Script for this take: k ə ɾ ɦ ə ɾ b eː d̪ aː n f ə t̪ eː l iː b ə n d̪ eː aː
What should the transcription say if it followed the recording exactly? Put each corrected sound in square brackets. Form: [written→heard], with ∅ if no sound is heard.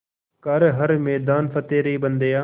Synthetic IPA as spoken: k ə ɾ ɦ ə ɾ [b→m] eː d̪ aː n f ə t̪ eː [l→ɾ] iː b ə n d̪ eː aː